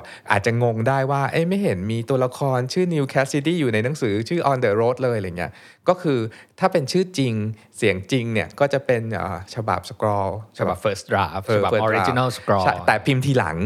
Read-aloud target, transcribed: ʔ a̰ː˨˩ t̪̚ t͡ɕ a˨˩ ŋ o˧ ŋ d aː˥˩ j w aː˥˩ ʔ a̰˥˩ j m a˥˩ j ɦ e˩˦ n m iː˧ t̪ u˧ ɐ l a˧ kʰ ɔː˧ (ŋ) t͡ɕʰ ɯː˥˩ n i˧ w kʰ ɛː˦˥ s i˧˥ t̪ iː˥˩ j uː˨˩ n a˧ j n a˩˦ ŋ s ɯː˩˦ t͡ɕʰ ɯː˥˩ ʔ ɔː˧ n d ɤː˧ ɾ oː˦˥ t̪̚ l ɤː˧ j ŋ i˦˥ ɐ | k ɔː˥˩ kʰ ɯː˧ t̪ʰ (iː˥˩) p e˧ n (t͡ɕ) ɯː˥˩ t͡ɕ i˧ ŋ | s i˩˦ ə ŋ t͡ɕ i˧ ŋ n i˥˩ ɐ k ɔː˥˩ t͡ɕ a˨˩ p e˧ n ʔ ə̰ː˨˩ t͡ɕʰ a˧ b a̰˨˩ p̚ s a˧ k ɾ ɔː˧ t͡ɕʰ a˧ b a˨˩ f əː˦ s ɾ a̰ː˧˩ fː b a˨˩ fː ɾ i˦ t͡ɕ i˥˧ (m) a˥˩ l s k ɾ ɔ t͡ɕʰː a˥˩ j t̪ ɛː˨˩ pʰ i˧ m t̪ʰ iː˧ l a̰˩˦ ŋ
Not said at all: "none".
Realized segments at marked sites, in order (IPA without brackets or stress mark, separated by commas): n, aː˥˩, t͡ɕʰ, n